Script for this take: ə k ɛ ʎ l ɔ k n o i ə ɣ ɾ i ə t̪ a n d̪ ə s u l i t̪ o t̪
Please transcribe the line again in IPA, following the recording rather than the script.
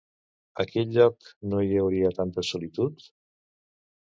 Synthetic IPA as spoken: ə k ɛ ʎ ʎ ɔ k n o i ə w ɾ i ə t̪ a n t̪ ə s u l i t̪ u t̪